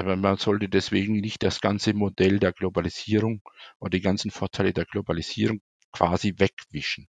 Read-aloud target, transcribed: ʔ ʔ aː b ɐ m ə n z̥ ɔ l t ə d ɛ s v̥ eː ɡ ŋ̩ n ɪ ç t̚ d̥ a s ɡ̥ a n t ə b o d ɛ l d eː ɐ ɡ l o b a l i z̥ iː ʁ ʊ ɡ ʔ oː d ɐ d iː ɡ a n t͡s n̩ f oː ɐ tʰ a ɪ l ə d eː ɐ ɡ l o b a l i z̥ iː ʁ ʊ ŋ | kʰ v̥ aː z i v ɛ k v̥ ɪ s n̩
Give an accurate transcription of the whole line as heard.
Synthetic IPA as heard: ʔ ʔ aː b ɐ m a n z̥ ɔ l t ə d ɛ s v̥ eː ɡ ŋ̩ n ɪ ç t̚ d̥ a s ɡ̥ a n t͡s ə m o d ɛ l d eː ɐ ɡ l o b a l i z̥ iː ʁ ʊ ŋ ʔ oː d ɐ d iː ɡ a n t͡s n̩ f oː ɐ tʰ a ɪ l ə d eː ɐ ɡ l o b a l i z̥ iː ʁ ʊ ŋ | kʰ v̥ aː z i v ɛ k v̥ ɪ ʃ n̩